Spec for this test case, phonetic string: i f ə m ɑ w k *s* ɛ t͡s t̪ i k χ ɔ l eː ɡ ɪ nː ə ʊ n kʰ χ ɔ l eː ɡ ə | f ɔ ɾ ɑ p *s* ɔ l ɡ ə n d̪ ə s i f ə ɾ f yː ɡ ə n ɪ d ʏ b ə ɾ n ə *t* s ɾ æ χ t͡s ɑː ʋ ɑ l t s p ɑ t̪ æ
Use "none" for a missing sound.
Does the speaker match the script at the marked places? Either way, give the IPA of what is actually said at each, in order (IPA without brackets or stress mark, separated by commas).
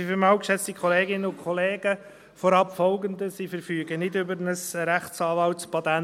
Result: ʃ, f, none